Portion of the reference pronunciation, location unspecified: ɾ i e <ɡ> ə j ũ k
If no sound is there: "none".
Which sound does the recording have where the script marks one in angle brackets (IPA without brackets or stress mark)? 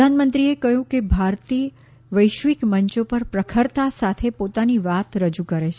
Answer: k